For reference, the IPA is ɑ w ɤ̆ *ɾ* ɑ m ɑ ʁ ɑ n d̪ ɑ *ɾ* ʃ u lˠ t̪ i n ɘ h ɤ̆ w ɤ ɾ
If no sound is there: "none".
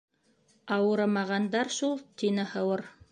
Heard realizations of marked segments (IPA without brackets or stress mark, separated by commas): ɾ, ɾ